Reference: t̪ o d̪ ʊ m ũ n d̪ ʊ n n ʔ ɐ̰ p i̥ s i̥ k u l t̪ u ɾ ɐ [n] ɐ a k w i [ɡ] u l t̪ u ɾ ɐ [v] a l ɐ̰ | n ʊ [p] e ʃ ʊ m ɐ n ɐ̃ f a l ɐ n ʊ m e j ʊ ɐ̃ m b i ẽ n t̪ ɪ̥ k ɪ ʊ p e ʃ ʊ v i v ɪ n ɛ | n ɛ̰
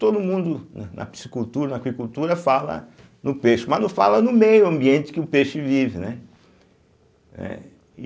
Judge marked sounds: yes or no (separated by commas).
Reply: yes, no, no, yes